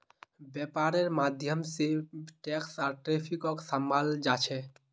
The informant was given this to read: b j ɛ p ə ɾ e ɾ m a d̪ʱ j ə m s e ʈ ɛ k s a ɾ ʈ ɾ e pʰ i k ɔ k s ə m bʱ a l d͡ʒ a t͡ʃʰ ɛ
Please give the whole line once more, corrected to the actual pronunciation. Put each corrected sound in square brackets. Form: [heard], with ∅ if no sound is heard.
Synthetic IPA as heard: b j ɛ p [a] ɾ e ɾ m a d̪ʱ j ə m s e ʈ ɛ k s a ɾ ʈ ɾ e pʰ i k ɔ k s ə m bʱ a l d͡ʒ a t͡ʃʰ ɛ